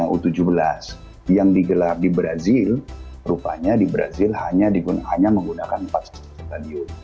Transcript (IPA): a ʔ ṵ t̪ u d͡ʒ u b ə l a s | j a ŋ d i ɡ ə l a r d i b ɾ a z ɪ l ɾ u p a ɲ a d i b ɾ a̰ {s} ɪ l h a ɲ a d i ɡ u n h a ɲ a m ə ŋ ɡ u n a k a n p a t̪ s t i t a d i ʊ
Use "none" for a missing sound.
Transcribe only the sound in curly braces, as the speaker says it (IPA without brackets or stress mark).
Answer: z